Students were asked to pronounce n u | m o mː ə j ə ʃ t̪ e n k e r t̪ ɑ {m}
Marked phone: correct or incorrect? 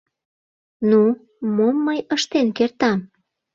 correct